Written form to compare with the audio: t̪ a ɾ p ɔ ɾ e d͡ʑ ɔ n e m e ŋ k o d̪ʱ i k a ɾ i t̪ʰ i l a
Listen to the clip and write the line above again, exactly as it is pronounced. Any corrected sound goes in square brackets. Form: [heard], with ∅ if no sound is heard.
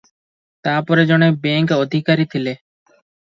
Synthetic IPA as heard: t̪ a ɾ p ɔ ɾ e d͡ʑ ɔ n e [b] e ŋ k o d̪ʱ i k a ɾ i t̪ʰ i l [e]